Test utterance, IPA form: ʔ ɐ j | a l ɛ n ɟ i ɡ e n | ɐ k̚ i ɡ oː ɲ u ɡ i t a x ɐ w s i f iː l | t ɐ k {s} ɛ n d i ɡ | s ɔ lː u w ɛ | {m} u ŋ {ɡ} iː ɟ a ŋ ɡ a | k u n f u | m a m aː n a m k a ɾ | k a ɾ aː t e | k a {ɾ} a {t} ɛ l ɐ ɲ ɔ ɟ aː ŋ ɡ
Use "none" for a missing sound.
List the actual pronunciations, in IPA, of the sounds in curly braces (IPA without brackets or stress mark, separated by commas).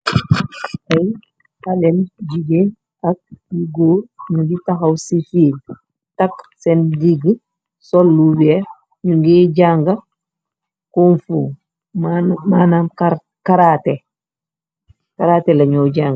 s, ɲ, ɡ, ɾ, t